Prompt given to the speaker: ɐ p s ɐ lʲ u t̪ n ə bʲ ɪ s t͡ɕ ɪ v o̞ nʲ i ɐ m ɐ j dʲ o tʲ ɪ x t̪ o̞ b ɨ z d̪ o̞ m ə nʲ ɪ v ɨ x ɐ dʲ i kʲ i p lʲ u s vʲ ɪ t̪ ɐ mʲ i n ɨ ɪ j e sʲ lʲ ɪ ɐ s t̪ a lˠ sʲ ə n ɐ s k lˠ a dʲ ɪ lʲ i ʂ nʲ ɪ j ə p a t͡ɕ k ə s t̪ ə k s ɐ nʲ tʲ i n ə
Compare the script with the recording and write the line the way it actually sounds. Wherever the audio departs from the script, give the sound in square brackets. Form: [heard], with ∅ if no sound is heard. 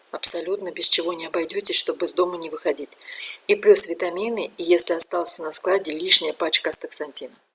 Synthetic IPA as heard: ɐ p s ɐ lʲ u t̪ n ə bʲ ɪ s t͡ɕ ɪ v o̞ nʲ [ɪ] ɐ [b] ɐ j dʲ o tʲ ɪ [ʂ] t̪ o̞ b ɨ z d̪ o̞ m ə nʲ ɪ v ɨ x ɐ dʲ i [tʲ] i p lʲ u s vʲ ɪ t̪ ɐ mʲ i n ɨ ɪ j e sʲ lʲ ɪ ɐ s t̪ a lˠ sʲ ə n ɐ s k lˠ a dʲ ɪ lʲ i ʂ nʲ ɪ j ə p a t͡ɕ k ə s t̪ ə k s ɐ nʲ tʲ i n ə